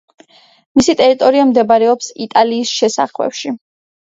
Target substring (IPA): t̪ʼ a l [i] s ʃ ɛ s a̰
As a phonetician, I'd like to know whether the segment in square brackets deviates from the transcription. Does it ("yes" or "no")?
yes